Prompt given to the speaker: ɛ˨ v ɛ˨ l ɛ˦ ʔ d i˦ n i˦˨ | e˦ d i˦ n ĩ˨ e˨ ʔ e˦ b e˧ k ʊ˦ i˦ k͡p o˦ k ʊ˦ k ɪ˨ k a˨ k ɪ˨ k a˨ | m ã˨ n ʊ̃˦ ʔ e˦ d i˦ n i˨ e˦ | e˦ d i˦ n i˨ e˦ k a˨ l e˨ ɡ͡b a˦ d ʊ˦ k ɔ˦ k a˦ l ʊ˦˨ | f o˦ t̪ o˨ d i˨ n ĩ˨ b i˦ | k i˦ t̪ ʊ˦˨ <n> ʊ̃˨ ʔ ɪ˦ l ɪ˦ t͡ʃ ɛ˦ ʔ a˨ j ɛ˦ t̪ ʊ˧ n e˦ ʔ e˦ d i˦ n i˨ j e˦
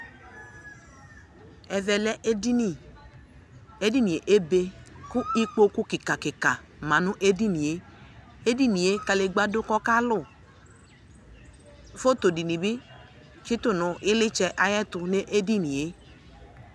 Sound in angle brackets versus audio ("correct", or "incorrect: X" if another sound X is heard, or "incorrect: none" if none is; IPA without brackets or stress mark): correct